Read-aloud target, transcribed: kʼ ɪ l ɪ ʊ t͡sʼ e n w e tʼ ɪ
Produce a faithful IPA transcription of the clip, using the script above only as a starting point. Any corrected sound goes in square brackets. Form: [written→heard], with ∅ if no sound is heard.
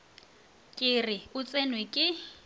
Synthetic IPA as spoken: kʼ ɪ [l→r] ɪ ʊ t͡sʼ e n w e [tʼ→kʼ] ɪ